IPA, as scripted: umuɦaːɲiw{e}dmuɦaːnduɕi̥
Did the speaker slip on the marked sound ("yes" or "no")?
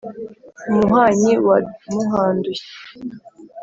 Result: yes